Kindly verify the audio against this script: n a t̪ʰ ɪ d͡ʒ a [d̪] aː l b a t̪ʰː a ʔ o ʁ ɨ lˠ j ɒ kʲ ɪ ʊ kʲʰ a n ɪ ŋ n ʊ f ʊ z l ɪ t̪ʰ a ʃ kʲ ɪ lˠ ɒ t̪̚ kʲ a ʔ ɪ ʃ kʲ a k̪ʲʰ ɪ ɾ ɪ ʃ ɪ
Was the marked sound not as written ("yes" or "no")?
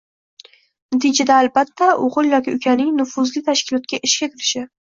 no